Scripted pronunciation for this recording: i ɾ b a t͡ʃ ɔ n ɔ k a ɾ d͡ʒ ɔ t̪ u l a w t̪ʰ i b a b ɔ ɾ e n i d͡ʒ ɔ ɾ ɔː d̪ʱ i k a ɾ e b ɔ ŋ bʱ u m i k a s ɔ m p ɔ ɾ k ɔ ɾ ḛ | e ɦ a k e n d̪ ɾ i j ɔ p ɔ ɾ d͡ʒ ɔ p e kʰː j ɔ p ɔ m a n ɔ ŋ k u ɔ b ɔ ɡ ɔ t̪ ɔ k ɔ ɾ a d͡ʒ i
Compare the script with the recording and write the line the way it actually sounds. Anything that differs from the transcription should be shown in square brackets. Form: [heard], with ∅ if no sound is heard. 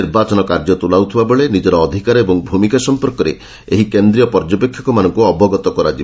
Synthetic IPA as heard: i ɾ b a t͡ʃ ɔ n ɔ k a ɾ d͡ʒ ɔ t̪ u l a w t̪ʰ i b a b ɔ [ɭ] e n i d͡ʒ ɔ ɾ ɔː d̪ʱ i k a ɾ e b ɔ ŋ bʱ u m i k a s ɔ m p ɔ ɾ k ɔ ɾ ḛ | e ɦ [i] k e n d̪ ɾ i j ɔ p ɔ ɾ d͡ʒ ɔ p e kʰː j ɔ [k] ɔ m a n ɔ ŋ k u ɔ b ɔ ɡ ɔ t̪ ɔ k ɔ ɾ a d͡ʒ i

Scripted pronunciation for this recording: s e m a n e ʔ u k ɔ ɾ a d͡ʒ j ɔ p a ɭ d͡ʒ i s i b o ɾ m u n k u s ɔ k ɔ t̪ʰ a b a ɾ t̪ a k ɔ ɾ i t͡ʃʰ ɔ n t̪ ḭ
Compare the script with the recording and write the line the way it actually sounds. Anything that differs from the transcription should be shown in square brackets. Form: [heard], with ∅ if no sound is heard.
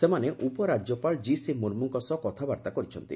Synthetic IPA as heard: s e m a n e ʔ u [p] ɔ ɾ a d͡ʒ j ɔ p a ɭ d͡ʒ i s i [m] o ɾ m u [ŋ] k [ɔ] s ɔ k ɔ t̪ʰ a b a ɾ t̪ a k ɔ ɾ i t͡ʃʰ ɔ n t̪ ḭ

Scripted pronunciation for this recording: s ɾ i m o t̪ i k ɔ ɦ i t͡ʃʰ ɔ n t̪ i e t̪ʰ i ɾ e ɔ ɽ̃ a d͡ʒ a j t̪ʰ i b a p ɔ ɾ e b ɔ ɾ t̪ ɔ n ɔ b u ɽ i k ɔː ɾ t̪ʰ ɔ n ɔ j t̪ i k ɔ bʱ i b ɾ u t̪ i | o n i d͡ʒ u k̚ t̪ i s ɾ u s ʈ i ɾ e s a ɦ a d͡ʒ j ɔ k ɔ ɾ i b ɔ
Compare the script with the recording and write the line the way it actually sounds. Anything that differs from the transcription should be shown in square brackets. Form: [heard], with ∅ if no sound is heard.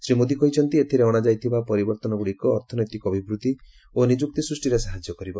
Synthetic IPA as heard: s ɾ i m o [d̪] i k ɔ ɦ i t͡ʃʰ ɔ n t̪ i e t̪ʰ i ɾ e ɔ ɽ̃ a d͡ʒ a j t̪ʰ i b a p ɔ ɾ [i] b ɔ ɾ t̪ ɔ n ɔ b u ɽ i k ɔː ɾ t̪ʰ ɔ n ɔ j t̪ i k ɔ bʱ i b ɾ u t̪ i | o n i d͡ʒ u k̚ t̪ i s ɾ u s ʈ i ɾ e s a ɦ a d͡ʒ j ɔ k ɔ ɾ i b ɔ

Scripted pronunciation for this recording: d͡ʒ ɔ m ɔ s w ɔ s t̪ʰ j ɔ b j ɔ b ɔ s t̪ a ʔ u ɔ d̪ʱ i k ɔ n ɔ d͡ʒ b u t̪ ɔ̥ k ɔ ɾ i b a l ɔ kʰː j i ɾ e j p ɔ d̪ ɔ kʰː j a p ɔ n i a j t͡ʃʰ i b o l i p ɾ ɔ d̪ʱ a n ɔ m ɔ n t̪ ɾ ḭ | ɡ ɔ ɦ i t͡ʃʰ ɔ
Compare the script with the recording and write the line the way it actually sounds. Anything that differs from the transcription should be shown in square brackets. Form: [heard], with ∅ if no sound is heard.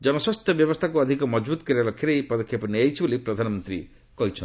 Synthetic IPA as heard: d͡ʒ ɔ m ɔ s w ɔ s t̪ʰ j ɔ b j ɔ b ɔ s [t̪ʰ] a [k] u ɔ d̪ʱ i k ɔ [m] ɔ d͡ʒ b u t̪ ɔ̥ k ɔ ɾ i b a l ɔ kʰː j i ɾ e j p ɔ d̪ ɔ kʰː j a p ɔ n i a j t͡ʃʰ i b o l i p ɾ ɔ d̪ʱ a n ɔ m ɔ n t̪ ɾ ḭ | [k] ɔ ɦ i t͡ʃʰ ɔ

